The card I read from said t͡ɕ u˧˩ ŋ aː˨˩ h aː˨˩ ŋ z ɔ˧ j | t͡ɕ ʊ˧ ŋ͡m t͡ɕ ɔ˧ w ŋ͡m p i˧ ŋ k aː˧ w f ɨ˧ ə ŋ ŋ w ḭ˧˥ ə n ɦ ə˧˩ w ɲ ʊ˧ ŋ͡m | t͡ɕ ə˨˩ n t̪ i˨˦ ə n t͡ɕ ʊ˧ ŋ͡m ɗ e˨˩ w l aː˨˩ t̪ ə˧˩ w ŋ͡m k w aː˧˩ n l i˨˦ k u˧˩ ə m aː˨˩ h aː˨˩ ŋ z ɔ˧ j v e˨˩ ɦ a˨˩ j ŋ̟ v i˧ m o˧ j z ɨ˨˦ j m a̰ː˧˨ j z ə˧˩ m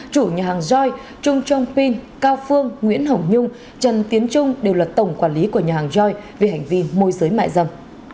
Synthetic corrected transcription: t͡ɕ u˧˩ ɲ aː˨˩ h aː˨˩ ŋ z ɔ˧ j | t͡ɕ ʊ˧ ŋ͡m t͡ɕ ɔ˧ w ŋ͡m p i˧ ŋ k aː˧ w f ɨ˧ ə ŋ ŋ w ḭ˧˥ ə n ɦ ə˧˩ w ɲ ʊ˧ ŋ͡m | t͡ɕ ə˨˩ n t̪ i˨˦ ə n t͡ɕ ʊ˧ ŋ͡m ɗ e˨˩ w l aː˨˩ t̪ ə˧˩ w ŋ͡m k w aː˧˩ n l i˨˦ k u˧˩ ə ɲ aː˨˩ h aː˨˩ ŋ z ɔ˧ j v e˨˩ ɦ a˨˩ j ŋ̟ v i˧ m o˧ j z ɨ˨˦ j m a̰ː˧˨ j z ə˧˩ m